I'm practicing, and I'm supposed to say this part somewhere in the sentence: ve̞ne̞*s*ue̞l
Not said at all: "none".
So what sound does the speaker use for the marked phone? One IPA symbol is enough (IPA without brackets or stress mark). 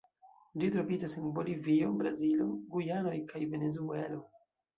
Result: z